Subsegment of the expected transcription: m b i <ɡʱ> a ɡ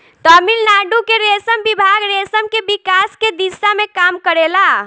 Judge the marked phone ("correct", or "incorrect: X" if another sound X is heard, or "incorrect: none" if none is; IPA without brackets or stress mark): incorrect: bʱ